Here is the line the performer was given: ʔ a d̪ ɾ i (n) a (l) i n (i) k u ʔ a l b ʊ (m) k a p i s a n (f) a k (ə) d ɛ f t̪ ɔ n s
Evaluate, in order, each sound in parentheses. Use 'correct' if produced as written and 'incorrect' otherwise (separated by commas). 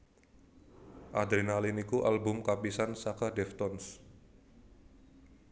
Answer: correct, correct, correct, correct, incorrect, incorrect